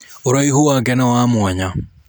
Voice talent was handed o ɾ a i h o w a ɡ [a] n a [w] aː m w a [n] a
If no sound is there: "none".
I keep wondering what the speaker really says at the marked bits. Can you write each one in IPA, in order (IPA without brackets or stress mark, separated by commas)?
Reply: ɛ, w, ɲ